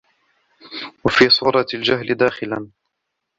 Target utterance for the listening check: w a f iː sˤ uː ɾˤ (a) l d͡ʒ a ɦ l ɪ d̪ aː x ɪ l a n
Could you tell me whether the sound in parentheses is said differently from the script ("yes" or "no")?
yes